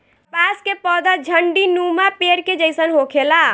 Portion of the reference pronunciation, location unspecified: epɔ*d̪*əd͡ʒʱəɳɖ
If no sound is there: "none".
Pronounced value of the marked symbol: d̪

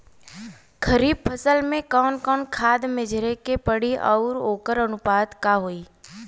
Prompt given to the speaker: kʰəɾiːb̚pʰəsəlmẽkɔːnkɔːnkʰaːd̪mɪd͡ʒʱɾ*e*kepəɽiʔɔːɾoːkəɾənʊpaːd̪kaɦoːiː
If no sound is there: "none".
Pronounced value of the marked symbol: e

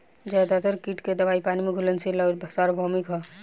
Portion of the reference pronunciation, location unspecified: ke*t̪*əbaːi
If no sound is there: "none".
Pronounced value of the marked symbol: d̪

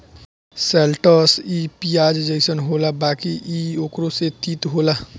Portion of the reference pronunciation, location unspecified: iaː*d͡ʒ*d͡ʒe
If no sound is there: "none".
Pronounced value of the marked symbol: d͡ʒ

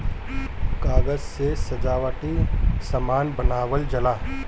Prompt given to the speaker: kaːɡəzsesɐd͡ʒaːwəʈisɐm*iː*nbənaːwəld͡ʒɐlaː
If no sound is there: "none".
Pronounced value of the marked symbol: aː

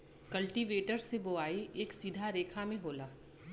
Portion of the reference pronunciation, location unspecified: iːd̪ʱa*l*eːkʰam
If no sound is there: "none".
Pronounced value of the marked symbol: ɾ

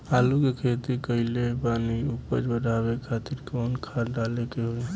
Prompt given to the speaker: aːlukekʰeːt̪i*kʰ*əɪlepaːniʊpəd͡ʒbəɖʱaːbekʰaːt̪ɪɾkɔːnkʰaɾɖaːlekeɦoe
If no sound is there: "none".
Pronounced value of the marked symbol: k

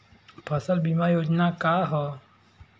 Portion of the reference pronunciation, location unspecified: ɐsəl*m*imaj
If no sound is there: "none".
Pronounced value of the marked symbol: b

